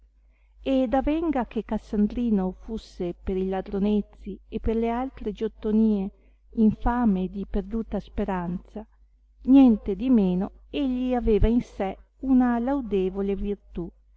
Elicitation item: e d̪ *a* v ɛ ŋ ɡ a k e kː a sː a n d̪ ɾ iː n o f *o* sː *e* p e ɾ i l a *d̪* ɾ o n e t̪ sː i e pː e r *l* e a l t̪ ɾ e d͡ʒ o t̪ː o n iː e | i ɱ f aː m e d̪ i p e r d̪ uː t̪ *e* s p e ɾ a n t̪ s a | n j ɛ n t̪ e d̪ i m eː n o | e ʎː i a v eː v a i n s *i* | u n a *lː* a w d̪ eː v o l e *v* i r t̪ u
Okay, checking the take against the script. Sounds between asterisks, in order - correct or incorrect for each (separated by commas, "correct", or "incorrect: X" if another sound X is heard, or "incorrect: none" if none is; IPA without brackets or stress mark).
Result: correct, incorrect: u, correct, correct, correct, incorrect: a, incorrect: ɛ, incorrect: l, correct